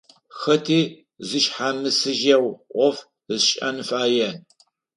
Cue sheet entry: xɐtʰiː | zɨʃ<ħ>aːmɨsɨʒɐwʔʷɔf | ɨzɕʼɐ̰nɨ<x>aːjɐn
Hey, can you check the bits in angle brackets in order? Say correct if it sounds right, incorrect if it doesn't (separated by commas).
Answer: correct, incorrect